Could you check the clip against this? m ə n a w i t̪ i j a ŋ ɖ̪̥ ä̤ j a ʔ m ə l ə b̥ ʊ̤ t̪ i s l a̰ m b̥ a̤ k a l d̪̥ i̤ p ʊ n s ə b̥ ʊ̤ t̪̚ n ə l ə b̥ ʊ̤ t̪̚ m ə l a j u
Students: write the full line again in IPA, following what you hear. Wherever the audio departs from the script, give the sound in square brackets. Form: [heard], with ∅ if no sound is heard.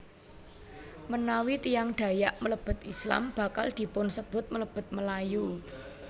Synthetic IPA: m ə n a w i t̪ i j a ŋ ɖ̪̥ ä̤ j a ʔ m ə l ə b̥ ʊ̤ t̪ i s l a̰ m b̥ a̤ k a l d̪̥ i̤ p ʊ n s ə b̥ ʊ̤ t̪̚ [m] ə l ə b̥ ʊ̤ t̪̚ m ə l a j u